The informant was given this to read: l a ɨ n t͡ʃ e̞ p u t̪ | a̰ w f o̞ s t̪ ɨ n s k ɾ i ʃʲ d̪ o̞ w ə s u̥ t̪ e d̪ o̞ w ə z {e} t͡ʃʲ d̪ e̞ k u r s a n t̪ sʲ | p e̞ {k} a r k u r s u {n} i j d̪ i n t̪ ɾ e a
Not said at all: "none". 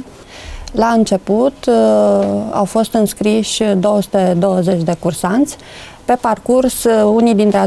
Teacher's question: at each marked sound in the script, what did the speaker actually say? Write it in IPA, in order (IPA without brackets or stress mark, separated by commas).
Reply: e, p, n